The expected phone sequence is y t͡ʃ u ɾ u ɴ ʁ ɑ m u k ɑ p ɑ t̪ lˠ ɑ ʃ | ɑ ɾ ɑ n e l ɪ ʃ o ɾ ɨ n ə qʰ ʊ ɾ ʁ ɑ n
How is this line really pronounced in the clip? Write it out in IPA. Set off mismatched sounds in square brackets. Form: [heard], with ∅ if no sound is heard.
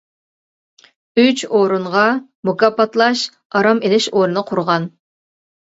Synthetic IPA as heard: y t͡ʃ [o] ɾ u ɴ ʁ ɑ m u k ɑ p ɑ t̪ lˠ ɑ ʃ | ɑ ɾ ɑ [m] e l ɪ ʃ o ɾ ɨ n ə qʰ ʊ ɾ ʁ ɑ n